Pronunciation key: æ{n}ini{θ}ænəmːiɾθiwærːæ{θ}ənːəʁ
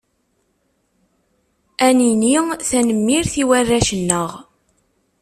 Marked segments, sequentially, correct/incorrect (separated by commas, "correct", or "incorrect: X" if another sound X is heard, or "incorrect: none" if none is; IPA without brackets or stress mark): correct, correct, incorrect: ʃ